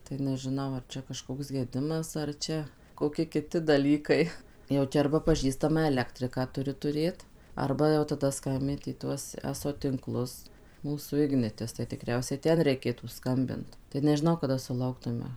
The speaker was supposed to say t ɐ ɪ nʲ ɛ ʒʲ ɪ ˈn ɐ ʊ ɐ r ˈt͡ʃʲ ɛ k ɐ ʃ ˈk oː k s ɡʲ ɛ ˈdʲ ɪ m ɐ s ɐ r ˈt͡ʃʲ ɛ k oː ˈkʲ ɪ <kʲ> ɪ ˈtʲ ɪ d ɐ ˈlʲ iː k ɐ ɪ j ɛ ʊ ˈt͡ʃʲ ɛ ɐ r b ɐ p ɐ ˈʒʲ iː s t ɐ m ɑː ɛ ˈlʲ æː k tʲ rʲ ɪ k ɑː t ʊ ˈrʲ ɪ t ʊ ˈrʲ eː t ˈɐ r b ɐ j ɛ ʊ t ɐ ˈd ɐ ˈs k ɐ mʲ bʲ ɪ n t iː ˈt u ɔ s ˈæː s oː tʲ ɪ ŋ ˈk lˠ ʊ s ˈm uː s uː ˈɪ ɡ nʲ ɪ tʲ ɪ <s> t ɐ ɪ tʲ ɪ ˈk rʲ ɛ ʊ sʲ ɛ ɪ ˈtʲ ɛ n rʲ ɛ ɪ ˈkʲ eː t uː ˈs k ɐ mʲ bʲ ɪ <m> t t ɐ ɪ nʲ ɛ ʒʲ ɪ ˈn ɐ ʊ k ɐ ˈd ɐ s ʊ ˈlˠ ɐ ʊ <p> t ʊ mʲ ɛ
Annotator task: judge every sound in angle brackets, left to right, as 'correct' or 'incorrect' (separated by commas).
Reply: correct, correct, incorrect, incorrect